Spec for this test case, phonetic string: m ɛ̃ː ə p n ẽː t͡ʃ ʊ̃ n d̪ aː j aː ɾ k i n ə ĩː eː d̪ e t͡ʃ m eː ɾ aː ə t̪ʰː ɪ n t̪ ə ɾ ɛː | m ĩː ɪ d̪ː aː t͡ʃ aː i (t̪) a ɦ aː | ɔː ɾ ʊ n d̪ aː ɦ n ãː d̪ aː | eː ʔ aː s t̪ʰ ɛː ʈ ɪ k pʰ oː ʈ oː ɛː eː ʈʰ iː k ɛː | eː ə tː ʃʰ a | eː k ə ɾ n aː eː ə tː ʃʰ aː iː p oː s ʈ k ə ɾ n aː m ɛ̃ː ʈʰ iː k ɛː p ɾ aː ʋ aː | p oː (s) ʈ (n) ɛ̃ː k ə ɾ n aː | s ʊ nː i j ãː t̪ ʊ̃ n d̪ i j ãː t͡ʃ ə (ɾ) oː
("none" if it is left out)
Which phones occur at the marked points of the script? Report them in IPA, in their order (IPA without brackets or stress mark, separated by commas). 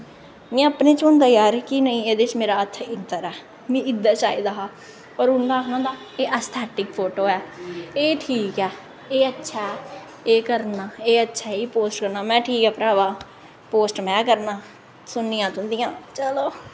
d̪, s, m, l